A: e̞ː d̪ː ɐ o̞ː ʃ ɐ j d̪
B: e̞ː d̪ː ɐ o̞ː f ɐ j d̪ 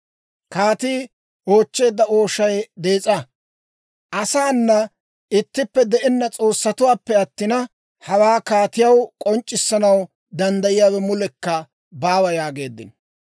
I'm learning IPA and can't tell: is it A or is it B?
A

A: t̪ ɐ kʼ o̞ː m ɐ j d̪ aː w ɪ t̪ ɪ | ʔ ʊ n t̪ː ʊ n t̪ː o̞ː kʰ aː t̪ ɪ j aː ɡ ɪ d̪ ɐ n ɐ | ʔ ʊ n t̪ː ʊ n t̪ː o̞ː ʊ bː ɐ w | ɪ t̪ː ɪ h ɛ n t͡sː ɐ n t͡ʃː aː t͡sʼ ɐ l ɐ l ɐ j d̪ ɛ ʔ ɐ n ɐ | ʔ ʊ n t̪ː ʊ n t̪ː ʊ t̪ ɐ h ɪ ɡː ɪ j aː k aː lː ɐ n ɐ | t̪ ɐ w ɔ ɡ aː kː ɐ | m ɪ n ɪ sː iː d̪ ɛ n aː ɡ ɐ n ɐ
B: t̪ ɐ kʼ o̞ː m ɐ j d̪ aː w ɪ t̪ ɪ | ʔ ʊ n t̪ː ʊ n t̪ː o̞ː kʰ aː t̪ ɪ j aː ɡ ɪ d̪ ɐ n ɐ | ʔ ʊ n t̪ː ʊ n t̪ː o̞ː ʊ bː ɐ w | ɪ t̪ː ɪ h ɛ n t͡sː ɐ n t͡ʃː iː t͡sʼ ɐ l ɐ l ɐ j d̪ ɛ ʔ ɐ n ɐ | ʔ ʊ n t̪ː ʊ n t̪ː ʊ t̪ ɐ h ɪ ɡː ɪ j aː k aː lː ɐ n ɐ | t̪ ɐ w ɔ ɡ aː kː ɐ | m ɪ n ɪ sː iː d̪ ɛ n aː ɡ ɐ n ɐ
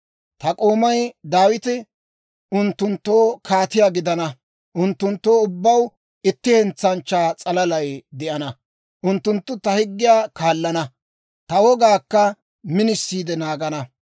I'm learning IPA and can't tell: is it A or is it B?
A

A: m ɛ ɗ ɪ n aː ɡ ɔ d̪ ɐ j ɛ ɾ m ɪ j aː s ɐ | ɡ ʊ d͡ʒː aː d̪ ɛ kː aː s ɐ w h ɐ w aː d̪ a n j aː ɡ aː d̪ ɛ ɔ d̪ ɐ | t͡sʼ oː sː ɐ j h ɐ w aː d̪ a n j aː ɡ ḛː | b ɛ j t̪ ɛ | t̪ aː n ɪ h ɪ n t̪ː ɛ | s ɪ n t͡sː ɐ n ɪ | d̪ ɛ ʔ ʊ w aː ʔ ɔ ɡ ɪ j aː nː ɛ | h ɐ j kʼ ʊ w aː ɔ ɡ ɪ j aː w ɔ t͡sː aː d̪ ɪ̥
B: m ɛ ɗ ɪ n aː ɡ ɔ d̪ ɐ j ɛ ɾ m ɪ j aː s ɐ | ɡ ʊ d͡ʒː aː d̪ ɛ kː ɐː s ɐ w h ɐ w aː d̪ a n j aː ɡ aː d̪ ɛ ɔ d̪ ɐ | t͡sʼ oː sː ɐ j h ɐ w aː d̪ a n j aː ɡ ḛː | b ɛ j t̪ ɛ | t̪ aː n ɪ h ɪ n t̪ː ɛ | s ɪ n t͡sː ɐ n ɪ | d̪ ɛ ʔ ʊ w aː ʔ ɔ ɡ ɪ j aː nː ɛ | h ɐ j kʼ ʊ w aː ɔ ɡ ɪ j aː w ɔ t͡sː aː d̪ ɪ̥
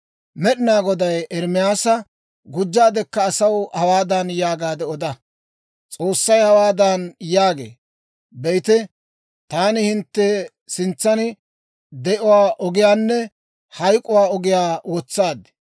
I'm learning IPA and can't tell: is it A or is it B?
B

